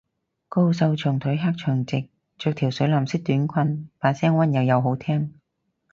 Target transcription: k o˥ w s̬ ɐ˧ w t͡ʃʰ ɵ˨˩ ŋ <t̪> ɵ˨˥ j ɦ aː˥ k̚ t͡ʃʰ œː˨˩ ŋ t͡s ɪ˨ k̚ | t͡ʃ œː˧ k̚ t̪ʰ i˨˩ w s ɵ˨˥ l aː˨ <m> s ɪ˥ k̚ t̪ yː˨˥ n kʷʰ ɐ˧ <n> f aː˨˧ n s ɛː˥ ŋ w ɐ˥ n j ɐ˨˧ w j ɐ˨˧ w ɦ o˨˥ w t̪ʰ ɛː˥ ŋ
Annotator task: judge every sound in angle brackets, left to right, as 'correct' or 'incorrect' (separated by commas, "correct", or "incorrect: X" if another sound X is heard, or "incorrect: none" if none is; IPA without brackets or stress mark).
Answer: incorrect: t̪ʰ, correct, correct